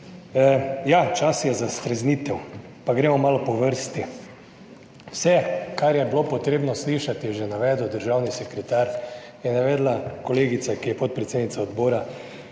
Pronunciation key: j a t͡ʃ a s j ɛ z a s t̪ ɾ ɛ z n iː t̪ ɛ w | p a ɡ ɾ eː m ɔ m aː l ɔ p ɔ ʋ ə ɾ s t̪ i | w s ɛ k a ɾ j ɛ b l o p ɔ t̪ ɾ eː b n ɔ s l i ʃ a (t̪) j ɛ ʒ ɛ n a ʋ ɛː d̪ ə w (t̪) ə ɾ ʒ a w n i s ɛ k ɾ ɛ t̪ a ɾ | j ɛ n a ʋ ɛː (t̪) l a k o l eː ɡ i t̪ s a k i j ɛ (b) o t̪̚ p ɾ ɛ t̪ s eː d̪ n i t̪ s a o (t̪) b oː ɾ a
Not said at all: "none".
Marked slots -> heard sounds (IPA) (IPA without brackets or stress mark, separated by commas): t̪, d̪, d̪, p, d̪